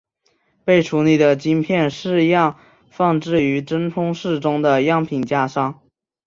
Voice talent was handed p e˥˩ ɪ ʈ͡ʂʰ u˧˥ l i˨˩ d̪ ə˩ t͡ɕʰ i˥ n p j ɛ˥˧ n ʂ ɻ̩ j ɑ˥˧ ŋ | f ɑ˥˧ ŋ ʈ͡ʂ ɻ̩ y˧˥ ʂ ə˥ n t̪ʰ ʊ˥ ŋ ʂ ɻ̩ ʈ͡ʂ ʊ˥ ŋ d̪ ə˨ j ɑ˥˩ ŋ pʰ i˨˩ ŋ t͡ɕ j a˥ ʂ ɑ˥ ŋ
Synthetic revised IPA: p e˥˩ ɪ ʈ͡ʂʰ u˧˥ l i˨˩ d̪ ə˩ t͡ɕ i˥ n pʰ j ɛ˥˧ n ʂ ɻ̩ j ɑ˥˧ ŋ | f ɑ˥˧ ŋ ʈ͡ʂ ɻ̩ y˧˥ ʈ͡ʂ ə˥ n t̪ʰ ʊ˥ ŋ ʂ ɻ̩ ʈ͡ʂ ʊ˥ ŋ d̪ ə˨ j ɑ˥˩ ŋ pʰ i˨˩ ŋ t͡ɕ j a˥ ʂ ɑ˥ ŋ